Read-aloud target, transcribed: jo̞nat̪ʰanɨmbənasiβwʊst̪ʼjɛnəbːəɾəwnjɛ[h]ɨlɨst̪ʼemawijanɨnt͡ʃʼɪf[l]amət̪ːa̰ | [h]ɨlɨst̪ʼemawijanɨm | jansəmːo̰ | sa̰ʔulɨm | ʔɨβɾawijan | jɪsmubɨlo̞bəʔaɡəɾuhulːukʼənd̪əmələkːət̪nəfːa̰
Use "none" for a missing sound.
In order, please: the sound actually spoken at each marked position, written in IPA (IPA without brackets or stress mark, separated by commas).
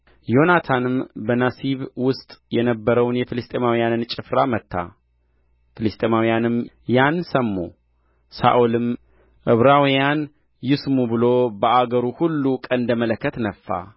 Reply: f, ɾ, f